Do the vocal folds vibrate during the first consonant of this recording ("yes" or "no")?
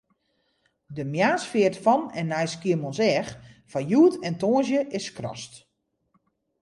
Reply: yes